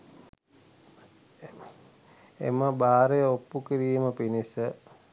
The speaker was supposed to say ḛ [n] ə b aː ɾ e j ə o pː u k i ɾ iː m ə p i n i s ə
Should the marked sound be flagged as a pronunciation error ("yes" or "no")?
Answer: yes